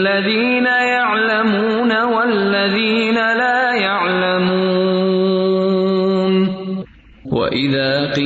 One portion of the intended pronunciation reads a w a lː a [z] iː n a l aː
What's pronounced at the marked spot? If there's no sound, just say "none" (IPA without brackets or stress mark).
ð